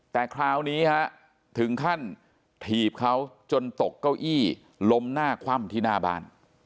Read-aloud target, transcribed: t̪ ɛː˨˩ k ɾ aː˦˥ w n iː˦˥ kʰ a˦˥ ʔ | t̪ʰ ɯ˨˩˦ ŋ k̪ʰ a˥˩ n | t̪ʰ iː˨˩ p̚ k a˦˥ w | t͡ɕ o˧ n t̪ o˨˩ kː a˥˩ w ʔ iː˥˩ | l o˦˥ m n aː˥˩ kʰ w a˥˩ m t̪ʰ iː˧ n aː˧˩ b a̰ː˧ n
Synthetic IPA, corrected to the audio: t̪ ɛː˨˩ kʰ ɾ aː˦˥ w n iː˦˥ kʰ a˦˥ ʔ | t̪ʰ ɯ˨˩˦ ŋ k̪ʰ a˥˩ n | t̪ʰ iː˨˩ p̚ kʰ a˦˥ w | t͡ɕ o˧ n t̪ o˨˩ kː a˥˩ w ʔ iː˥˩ | l o˦˥ m n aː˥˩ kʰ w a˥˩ m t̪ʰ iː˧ n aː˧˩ b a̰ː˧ n